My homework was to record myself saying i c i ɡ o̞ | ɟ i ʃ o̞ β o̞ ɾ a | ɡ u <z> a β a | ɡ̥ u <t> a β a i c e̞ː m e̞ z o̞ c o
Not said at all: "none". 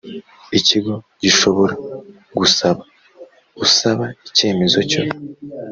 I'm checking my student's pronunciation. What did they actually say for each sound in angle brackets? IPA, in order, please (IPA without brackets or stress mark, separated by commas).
s, s